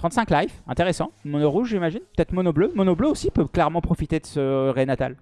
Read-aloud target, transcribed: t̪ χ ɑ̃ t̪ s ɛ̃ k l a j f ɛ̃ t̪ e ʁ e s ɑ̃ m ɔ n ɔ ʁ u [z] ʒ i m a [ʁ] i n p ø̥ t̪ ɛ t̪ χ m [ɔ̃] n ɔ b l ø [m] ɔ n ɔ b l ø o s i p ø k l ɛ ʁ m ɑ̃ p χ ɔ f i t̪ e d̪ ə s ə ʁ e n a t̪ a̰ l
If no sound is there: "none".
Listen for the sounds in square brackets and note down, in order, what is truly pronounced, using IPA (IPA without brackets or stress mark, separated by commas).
ʒ, ʒ, ɔ, m